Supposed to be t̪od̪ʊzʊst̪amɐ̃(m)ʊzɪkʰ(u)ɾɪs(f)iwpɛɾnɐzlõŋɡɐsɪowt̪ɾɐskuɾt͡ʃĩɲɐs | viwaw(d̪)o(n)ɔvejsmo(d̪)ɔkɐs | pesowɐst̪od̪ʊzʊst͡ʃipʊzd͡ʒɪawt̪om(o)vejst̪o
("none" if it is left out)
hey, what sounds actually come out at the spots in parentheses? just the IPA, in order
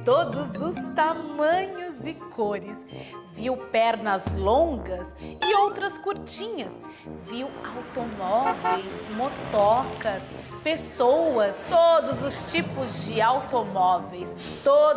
ɲ, o, v, t̪, m, t̪, ɔ

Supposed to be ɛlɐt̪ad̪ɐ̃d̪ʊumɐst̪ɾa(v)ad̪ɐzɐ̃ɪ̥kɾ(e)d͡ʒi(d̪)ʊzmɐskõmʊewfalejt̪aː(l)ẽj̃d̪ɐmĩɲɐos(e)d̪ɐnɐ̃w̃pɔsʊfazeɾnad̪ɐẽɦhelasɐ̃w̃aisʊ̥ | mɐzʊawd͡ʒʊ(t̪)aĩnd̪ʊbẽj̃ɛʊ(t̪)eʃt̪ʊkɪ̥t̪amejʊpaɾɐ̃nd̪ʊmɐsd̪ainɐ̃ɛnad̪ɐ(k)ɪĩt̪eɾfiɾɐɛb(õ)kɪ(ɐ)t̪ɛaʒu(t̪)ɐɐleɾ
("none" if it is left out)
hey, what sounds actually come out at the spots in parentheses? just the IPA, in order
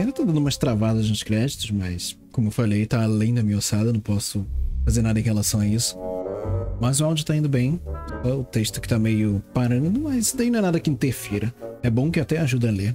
v, ɛ, t̪, l, a, t̪, t̪, k, õ, a, d̪

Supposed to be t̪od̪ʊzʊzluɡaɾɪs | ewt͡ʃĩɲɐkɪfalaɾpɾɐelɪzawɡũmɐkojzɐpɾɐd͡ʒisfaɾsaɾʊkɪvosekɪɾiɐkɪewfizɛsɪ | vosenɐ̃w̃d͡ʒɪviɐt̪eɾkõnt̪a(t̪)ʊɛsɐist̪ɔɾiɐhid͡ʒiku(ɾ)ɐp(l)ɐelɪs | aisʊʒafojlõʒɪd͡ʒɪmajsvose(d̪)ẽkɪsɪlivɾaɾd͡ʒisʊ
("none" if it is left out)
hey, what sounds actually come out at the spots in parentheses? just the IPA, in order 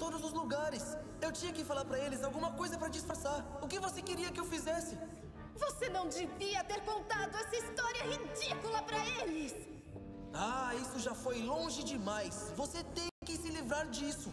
d̪, l, ɾ, t̪

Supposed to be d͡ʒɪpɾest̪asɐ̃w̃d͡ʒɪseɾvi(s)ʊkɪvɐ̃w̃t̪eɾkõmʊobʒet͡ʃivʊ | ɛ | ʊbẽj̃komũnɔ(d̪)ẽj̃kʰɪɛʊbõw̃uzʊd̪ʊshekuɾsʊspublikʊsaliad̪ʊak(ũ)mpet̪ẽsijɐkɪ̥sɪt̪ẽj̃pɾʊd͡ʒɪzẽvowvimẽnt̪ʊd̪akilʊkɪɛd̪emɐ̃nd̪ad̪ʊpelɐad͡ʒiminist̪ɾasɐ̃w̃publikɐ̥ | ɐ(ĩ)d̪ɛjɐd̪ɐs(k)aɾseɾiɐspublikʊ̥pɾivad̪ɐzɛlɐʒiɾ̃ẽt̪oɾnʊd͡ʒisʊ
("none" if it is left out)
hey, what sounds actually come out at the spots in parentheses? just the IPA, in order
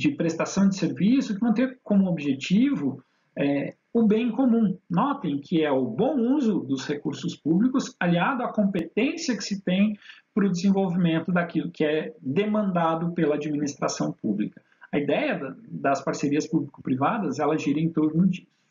s, t̪, õ, i, p

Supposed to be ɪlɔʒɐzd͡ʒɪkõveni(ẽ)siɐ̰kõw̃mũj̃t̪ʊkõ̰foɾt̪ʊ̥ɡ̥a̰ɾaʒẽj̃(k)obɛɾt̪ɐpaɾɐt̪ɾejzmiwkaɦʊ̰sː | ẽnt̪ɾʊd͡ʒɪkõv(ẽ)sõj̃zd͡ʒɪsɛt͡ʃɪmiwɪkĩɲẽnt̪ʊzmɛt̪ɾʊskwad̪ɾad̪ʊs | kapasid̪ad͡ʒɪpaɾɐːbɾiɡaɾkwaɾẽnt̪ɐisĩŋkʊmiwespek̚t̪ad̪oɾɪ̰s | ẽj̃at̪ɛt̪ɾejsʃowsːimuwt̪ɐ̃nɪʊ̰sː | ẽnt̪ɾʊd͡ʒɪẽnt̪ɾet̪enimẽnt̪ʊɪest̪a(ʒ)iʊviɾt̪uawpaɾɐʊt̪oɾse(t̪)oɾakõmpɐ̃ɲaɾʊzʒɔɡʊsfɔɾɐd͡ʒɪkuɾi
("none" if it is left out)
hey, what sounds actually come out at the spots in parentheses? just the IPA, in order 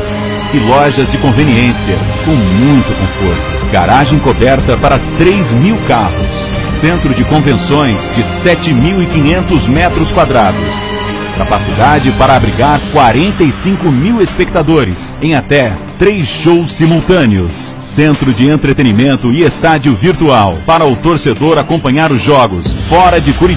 ẽ, k, ẽ, d͡ʒ, d̪

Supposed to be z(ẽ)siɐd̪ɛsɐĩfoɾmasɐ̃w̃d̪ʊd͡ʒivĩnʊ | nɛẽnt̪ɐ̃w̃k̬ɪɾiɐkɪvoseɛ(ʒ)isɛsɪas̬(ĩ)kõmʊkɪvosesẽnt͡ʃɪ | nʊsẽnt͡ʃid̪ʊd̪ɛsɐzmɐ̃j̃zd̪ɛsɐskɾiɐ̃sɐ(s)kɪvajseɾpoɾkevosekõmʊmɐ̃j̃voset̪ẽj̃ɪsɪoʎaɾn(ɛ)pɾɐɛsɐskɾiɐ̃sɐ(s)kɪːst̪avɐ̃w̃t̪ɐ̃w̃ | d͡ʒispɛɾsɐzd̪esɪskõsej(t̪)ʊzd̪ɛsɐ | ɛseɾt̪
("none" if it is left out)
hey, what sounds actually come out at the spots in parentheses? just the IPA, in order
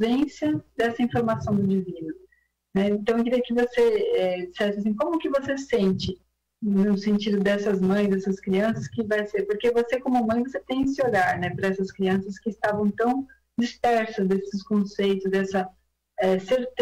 ẽ, d͡ʒ, ĩ, s, ɛ, s, t̪

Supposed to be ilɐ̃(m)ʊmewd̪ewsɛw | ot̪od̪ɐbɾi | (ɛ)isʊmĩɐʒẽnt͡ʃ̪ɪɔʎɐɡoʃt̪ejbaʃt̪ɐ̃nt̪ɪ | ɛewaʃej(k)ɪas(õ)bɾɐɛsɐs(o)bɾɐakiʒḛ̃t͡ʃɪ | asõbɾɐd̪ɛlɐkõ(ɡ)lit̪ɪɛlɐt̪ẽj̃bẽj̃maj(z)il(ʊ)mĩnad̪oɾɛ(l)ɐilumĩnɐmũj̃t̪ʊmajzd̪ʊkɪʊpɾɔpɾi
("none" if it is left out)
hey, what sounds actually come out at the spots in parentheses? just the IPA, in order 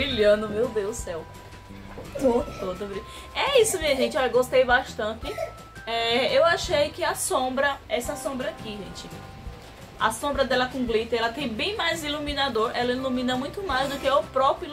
n, ɛ, k, õ, õ, ɡ, z, u, l

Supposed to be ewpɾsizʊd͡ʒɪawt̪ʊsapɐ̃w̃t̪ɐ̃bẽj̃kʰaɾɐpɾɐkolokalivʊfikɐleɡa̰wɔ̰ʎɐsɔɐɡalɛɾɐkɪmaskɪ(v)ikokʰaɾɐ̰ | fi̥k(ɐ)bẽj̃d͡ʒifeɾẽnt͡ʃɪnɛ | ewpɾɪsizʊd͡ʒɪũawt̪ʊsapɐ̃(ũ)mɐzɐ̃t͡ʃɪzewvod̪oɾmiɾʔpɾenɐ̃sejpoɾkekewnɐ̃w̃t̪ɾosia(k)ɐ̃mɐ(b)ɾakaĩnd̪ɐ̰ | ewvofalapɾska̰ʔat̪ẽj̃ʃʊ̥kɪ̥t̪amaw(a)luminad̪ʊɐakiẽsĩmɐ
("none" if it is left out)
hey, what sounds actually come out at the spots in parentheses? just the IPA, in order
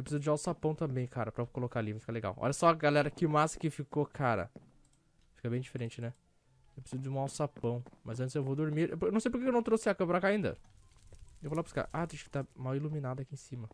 f, ɐ, w̃, k, p, i

